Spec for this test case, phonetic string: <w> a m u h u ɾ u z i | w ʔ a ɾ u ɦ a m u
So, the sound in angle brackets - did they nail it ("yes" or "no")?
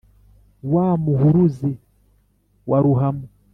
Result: yes